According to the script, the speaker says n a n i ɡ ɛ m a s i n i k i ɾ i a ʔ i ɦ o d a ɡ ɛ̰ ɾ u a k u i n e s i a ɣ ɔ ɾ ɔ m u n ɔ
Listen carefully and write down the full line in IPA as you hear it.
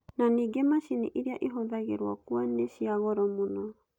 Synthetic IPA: n a n i ɡ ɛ m a s i n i ʔ i ɾ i a ʔ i ɦ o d a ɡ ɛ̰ ɾ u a k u a n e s i a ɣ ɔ ɾ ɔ m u n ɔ